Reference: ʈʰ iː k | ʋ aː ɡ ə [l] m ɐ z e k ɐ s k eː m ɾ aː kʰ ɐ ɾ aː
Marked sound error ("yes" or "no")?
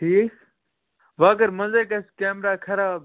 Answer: yes